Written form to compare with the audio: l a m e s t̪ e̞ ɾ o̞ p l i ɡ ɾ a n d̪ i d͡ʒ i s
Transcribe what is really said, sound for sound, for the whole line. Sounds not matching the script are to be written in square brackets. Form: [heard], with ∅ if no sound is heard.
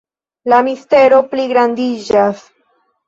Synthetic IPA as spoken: l a m [i] s t̪ e̞ ɾ o̞ p l i ɡ ɾ a n d̪ i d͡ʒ [a] s

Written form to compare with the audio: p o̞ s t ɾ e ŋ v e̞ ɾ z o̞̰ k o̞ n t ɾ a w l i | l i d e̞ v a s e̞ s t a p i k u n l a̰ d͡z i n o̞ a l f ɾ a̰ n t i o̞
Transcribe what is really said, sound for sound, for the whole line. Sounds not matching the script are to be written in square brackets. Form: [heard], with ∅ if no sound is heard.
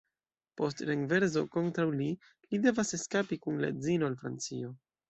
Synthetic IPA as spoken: p o̞ s t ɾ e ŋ v e̞ ɾ z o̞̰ k o̞ n t ɾ a w l i | l i d e̞ v a s e̞ s [k] a p i k u n l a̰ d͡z i n o̞ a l f ɾ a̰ n [t͡s] i o̞

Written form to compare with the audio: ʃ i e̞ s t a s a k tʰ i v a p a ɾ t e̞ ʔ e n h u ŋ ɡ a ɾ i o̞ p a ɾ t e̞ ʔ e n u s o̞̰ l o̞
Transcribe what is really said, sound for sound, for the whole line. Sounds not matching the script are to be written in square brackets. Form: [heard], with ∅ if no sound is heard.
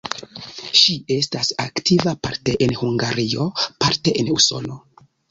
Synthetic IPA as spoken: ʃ i e̞ s t a s a k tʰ i v a p a ɾ t e̞ ʔ e n h u ŋ ɡ a ɾ i o̞ p a ɾ t e̞ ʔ e n u s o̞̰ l o̞

